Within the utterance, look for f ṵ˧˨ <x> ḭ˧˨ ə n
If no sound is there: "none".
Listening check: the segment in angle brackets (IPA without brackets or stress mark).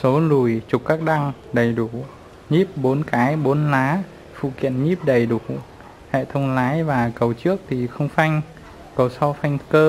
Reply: k